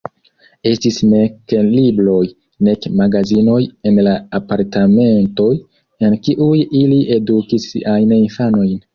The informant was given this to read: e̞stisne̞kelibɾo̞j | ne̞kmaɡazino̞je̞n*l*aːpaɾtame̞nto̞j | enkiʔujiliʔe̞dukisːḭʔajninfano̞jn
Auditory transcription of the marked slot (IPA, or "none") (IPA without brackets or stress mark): l